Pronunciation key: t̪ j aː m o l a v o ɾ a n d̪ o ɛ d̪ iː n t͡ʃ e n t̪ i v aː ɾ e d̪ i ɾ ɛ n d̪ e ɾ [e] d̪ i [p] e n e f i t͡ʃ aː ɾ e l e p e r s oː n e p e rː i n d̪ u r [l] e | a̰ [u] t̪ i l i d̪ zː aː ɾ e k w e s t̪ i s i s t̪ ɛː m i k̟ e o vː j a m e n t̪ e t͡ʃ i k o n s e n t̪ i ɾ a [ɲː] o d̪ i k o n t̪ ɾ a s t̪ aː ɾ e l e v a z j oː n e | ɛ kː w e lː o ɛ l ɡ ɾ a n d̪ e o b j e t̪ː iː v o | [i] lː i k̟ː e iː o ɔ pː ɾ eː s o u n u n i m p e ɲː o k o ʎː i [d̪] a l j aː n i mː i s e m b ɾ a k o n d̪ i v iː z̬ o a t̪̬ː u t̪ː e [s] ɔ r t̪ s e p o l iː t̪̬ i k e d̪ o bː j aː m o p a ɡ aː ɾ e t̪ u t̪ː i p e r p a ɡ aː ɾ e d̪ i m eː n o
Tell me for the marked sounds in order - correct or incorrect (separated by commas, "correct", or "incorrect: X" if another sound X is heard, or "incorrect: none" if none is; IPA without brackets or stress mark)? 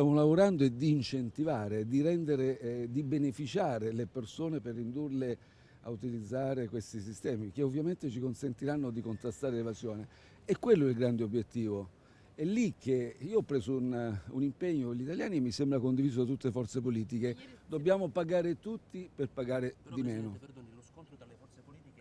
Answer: correct, incorrect: b, correct, correct, incorrect: nː, incorrect: ɛ, incorrect: t̪, incorrect: f